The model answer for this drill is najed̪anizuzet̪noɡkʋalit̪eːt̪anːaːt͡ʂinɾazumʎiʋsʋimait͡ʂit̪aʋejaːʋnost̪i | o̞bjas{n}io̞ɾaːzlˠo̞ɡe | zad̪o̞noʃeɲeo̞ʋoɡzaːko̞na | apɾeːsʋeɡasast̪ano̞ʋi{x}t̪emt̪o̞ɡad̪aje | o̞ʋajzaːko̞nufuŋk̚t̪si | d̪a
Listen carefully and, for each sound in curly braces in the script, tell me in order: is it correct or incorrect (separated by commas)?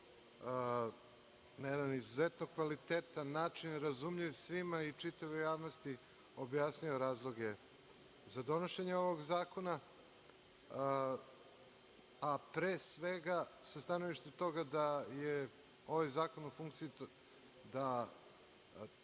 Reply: correct, incorrect